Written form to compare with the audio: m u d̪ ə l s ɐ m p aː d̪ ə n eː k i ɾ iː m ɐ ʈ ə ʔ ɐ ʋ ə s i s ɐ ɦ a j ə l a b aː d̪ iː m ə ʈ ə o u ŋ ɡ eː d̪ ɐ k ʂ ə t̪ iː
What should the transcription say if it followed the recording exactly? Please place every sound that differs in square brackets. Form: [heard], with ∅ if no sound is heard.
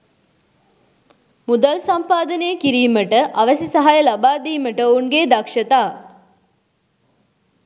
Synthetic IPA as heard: m u d̪ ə l s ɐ m p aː d̪ ə n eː k i ɾ iː m [ə] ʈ ə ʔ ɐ ʋ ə s i s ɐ ɦ a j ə l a b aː d̪ iː m ə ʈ ə o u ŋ ɡ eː d̪ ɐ k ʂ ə t̪ [aː]